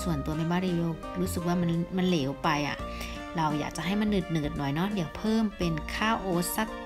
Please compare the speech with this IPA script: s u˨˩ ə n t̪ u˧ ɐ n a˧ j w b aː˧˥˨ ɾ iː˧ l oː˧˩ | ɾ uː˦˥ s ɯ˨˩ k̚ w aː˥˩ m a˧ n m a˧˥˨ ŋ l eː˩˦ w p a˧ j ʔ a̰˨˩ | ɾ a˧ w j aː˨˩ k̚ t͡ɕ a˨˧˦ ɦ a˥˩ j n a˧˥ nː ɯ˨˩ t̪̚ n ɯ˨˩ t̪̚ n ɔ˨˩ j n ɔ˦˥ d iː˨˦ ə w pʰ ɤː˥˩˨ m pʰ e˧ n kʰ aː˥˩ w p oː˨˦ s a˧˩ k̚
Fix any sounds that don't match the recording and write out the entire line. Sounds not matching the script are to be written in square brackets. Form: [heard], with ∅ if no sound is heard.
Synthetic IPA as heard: s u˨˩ ə n t̪ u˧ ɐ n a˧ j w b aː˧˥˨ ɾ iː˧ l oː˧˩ | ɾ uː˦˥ s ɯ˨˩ k̚ w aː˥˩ m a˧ n m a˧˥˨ [n] l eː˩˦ w p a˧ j ʔ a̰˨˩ | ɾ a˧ w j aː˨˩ k̚ t͡ɕ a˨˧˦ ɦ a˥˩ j [m] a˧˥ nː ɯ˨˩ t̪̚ n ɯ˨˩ t̪̚ n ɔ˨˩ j n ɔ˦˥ d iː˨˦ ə w pʰ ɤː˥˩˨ m [p] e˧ n kʰ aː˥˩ w [ʔ] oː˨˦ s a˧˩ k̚

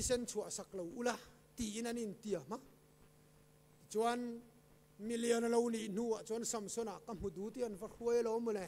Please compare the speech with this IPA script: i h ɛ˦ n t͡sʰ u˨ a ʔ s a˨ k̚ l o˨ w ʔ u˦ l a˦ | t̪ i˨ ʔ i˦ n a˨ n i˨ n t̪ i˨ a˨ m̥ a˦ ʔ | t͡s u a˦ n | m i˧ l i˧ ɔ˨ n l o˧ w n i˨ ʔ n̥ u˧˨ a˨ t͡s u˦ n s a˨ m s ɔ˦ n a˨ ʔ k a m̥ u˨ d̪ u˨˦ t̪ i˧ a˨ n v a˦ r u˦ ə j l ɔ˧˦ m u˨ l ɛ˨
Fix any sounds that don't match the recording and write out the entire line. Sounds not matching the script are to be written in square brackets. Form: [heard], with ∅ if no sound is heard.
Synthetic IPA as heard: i [s] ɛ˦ n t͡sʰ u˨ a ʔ s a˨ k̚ l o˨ w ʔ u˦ l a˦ | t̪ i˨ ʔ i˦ n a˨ n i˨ n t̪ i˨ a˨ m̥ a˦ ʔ | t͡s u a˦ n | m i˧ l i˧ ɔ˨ n l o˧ w n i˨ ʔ n̥ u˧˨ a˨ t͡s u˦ n s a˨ m s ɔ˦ n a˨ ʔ k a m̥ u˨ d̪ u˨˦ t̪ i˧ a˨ n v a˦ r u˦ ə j l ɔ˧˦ m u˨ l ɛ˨

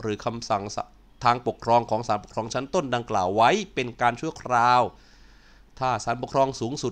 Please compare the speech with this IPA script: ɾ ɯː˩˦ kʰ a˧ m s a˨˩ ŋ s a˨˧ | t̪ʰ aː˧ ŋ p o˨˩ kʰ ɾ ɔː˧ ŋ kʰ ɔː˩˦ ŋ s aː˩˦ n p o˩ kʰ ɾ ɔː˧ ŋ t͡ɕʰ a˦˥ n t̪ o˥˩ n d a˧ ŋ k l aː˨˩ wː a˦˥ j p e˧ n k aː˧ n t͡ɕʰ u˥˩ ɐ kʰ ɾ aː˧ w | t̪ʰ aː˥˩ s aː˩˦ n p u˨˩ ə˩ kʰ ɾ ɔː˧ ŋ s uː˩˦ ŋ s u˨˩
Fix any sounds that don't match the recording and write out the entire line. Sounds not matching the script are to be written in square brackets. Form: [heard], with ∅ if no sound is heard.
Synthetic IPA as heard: ɾ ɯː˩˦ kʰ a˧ m s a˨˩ ŋ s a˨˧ | t̪ʰ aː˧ ŋ p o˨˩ kʰ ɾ ɔː˧ ŋ kʰ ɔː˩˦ ŋ s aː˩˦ n p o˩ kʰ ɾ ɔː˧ ŋ t͡ɕʰ a˦˥ n t̪ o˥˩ n d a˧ ŋ k l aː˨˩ wː a˦˥ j p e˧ n k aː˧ n t͡ɕʰ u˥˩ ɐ kʰ ɾ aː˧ w | t̪ʰ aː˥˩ s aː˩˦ n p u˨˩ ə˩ kʰ ɾ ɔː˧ ŋ s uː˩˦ ŋ s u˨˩

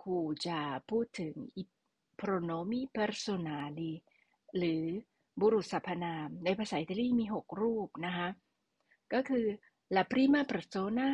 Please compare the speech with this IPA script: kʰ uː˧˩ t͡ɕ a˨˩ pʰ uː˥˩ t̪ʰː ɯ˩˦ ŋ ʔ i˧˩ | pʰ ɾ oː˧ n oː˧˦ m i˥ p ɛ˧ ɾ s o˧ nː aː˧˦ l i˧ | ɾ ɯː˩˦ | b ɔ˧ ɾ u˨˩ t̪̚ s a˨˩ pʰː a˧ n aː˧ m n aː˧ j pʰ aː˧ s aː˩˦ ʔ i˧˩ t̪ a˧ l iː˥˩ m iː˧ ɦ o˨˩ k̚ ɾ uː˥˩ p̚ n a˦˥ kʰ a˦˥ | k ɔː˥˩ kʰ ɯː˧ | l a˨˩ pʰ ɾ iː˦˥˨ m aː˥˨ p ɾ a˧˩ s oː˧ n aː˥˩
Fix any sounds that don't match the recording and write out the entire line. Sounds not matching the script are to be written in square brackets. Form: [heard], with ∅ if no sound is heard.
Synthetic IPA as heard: kʰ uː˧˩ t͡ɕ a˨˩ pʰ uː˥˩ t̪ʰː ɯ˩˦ ŋ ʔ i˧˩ | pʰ ɾ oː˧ n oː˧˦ m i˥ p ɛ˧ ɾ s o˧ [n] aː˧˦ l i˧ | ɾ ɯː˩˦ | b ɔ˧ ɾ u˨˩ t̪̚ s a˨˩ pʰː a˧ n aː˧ m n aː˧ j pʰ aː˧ s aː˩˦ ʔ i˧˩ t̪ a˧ l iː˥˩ m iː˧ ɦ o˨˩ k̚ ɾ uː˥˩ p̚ n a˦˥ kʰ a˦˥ | k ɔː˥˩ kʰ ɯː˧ | l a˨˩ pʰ ɾ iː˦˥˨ m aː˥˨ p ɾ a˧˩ s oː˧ n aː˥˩

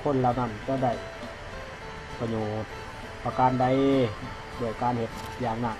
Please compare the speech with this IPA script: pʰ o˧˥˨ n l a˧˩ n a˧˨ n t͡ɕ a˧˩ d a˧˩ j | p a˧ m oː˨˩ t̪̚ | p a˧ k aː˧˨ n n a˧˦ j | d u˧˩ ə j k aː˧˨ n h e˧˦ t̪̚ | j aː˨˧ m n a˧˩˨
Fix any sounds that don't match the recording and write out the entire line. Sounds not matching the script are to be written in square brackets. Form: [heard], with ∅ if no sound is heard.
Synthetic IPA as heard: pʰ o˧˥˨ n l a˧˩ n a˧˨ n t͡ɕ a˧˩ d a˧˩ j | p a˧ [ɲ] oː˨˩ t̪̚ | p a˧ k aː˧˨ n [d] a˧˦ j | d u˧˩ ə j k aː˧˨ n h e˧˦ t̪̚ | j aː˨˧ [ŋ] n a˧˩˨

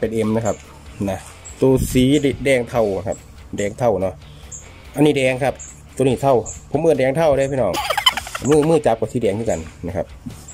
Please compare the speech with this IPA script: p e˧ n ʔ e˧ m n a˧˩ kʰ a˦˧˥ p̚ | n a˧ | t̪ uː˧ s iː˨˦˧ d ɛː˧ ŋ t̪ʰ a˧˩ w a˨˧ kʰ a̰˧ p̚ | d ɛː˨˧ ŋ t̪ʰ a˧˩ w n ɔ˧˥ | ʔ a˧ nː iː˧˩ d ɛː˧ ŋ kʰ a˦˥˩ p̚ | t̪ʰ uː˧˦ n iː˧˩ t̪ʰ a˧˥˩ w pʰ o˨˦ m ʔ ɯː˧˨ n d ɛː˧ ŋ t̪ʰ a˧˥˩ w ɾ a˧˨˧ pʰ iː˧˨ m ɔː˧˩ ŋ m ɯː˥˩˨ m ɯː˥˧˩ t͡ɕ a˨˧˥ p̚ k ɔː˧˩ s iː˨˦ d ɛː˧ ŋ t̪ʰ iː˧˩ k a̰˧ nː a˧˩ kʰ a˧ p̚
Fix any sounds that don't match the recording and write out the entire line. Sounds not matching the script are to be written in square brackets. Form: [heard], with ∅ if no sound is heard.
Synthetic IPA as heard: p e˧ n ʔ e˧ m n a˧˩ kʰ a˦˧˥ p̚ | n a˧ | t̪ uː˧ s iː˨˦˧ d ɛː˧ ŋ t̪ʰ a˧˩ w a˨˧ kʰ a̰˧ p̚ | d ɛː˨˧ ŋ t̪ʰ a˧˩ w n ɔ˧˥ | ʔ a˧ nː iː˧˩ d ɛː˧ ŋ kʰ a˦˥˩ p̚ | [t̪] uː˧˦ n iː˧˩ t̪ʰ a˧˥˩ w pʰ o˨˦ m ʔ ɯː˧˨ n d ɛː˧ ŋ t̪ʰ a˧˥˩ w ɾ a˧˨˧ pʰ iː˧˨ [n] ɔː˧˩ ŋ m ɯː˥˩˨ m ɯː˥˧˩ t͡ɕ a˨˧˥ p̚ k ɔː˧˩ s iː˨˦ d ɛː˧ ŋ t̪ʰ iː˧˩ k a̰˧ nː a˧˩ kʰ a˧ p̚

